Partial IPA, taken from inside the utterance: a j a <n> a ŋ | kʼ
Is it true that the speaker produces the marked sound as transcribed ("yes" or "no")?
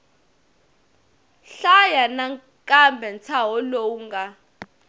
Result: yes